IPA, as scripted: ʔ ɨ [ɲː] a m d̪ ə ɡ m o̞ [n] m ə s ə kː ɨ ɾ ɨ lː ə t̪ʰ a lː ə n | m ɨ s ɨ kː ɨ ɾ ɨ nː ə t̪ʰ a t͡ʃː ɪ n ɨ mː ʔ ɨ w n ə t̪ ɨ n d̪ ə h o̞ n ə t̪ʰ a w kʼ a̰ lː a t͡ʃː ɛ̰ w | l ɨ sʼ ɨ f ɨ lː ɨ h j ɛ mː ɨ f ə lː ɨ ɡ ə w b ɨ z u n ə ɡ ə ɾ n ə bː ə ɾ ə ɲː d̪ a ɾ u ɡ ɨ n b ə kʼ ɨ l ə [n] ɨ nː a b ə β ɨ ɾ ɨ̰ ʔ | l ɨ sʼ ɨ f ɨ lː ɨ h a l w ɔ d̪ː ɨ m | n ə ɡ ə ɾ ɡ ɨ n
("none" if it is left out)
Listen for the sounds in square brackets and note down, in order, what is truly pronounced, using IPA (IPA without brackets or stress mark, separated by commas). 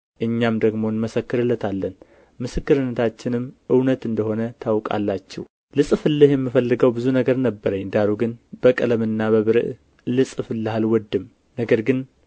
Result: ɲː, n, m